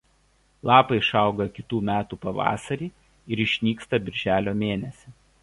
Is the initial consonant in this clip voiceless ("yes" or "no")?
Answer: no